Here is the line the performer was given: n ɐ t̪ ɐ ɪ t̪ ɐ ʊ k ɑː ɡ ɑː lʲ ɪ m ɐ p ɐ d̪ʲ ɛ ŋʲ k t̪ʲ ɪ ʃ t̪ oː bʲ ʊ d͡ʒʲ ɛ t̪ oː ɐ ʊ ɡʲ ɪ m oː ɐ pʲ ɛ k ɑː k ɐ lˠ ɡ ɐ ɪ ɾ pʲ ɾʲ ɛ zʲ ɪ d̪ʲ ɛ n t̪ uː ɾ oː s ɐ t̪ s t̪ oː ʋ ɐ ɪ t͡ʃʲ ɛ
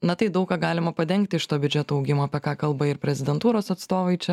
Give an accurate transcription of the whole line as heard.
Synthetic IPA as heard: n ɐ t̪ ɐ ɪ d̪ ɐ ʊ k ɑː ɡ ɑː lʲ ɪ m ɐ p ɐ d̪ʲ ɛ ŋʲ k t̪ʲ ɪ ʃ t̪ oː bʲ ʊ d͡ʒʲ ɛ t̪ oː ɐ ʊ ɡʲ ɪ m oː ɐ pʲ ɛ k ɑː k ɐ lˠ b ɐ ɪ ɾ pʲ ɾʲ ɛ zʲ ɪ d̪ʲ ɛ n t̪ uː ɾ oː s ɐ t̪ s t̪ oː ʋ ɐ ɪ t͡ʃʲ ɛ